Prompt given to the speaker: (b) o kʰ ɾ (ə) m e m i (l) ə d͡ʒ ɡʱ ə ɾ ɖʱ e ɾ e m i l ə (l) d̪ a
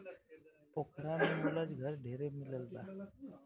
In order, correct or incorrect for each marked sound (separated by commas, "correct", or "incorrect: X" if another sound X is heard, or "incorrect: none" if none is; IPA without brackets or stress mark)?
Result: incorrect: p, incorrect: a, correct, correct